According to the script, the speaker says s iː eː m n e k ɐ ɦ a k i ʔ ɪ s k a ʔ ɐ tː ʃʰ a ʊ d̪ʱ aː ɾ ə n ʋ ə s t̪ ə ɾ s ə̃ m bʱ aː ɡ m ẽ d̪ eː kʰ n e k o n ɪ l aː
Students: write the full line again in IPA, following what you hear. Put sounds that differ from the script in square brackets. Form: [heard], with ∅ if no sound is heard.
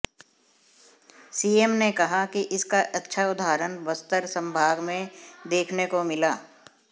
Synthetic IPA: s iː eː m n e k ɐ ɦ a k i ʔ ɪ s k a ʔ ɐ tː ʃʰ a ʊ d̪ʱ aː ɾ ə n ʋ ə s t̪ ə ɾ s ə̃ m bʱ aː ɡ m ẽ d̪ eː kʰ n e k o [m] ɪ l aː